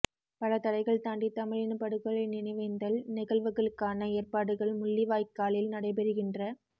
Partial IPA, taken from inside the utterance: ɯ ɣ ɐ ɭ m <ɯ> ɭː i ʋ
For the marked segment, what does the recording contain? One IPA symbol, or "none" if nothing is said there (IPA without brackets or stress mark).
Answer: ʊ